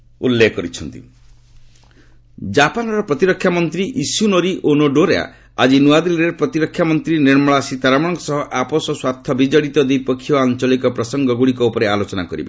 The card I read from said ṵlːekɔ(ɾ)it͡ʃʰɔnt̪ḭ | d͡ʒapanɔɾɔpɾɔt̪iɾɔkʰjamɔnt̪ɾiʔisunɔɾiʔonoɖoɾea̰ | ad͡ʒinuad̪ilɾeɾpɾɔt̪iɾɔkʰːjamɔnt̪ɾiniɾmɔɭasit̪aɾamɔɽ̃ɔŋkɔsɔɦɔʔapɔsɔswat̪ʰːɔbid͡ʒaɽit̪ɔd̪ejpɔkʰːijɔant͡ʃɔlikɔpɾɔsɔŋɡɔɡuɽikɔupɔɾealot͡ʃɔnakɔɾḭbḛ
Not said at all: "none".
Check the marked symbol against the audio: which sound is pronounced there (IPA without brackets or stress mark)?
ɾ